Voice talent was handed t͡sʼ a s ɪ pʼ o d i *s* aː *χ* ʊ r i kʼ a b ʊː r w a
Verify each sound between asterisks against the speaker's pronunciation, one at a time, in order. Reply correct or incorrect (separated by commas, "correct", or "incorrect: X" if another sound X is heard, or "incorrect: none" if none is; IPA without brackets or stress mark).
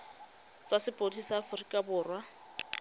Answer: correct, incorrect: f